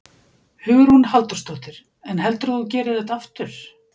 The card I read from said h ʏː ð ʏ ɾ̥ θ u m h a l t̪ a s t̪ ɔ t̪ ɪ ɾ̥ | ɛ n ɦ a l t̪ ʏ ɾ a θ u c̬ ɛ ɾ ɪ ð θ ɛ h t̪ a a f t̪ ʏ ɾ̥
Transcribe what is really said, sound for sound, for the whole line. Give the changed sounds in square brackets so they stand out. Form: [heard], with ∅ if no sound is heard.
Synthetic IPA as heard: h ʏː [ɣ] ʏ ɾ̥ [h] u [n] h a l t̪ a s t̪ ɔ t̪ ɪ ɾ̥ | ɛ n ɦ [ɛ] l t̪ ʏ ɾ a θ u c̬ [ɛː] ɾ ɪ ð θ ɛ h t̪ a a f t̪ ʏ ɾ̥